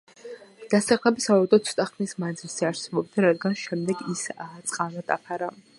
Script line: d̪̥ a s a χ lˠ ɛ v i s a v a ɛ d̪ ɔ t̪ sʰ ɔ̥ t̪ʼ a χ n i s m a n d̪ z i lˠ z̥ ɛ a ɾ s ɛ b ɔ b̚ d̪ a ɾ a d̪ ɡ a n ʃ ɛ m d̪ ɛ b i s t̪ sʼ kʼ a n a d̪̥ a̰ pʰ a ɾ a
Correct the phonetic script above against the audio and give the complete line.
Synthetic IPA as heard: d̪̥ a s a χ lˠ ɛ b i s a v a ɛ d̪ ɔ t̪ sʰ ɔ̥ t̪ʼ a χ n i s m a n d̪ z i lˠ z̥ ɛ a ɾ s ɛ b ɔ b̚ d̪ a ɾ a d̪ ɡ a n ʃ ɛ m d̪ ɛ ɡ i s t̪ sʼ qʼ a n a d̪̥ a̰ pʰ a ɾ a